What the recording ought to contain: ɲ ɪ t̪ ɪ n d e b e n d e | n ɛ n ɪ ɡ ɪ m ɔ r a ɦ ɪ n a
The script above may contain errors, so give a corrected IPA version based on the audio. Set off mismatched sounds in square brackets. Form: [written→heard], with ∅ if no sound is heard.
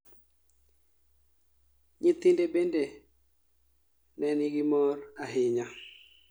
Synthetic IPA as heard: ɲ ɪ t̪ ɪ n d e b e n d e | n ɛ n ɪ ɡ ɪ m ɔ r a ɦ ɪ [n→ɲ] a